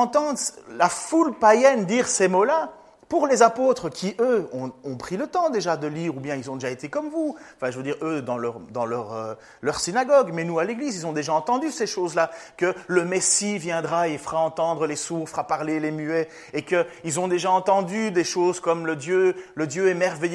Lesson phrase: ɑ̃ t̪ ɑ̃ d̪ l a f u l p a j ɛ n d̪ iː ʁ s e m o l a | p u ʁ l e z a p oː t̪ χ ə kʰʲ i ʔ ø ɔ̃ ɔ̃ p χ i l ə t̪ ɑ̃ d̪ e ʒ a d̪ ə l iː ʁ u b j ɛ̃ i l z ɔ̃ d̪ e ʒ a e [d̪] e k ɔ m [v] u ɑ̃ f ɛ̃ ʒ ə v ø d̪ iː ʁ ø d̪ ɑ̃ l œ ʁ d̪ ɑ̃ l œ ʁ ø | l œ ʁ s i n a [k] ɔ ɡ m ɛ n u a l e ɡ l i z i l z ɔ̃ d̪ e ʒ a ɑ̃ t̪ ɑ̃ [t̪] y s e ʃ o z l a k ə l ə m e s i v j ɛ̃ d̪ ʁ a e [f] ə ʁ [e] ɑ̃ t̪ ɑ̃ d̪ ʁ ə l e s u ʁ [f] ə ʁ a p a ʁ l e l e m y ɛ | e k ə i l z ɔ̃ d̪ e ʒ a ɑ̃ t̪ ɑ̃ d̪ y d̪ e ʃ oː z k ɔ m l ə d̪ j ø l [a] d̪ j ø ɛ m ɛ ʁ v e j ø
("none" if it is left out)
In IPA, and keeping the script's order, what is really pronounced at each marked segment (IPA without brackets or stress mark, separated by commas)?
t̪, v, ɡ, d̪, f, a, f, ə